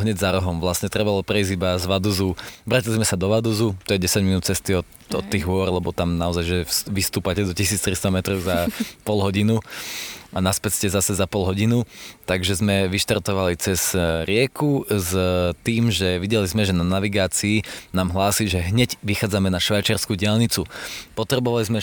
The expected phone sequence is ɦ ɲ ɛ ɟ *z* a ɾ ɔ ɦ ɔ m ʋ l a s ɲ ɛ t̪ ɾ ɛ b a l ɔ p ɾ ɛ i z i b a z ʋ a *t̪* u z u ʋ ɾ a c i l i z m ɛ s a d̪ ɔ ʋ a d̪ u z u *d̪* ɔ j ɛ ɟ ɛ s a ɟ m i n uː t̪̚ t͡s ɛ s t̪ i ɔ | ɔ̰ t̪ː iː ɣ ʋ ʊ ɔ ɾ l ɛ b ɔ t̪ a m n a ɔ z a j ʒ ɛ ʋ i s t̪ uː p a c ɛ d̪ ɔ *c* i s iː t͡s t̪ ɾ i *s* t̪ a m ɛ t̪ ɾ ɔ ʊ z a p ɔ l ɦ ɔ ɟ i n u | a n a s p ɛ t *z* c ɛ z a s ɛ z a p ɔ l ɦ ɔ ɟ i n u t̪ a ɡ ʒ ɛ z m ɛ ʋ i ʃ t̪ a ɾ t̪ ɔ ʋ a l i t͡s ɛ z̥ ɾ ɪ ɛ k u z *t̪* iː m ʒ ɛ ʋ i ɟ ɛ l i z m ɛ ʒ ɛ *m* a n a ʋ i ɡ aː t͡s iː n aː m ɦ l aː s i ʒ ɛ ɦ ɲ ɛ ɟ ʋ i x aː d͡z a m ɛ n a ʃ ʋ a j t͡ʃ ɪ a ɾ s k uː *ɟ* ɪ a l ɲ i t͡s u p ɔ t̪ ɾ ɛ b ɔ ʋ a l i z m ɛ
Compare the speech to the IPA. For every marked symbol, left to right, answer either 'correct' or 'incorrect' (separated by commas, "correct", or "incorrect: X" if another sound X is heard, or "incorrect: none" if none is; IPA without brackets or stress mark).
correct, incorrect: d̪, incorrect: t̪, correct, correct, incorrect: s, correct, incorrect: n, correct